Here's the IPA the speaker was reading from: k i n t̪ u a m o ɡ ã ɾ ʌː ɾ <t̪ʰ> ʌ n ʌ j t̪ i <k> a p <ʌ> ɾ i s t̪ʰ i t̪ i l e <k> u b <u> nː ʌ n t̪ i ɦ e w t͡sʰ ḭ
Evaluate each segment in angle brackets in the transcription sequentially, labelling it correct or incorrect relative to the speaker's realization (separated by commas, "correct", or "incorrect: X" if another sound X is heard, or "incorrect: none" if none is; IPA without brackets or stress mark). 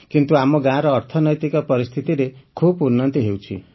correct, correct, correct, incorrect: kʰ, correct